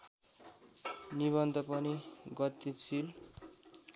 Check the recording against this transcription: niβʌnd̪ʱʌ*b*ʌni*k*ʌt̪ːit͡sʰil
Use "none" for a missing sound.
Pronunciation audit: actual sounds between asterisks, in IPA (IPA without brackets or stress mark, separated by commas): p, ɡ